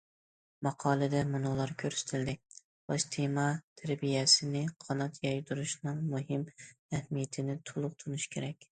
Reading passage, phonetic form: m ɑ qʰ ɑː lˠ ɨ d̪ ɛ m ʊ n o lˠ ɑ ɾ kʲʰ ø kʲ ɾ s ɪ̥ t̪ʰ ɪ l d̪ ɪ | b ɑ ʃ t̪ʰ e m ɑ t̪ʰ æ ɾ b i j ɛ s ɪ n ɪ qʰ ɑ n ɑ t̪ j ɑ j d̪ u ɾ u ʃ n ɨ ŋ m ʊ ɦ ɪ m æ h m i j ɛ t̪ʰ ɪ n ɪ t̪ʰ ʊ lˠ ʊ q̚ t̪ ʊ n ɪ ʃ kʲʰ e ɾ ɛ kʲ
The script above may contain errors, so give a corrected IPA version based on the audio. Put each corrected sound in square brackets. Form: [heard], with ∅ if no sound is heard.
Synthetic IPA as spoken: m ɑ qʰ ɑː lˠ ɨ d̪ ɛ m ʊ n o lˠ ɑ ɾ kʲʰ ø [∅] ɾ s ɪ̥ t̪ʰ ɪ l d̪ ɪ | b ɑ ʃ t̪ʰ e m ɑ t̪ʰ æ ɾ b i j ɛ s ɪ n ɪ qʰ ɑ n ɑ t̪ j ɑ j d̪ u ɾ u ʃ n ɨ ŋ m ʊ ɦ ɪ m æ h m i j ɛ t̪ʰ ɪ n ɪ t̪ʰ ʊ lˠ ʊ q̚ [t̪ʰ] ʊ n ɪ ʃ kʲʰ e ɾ ɛ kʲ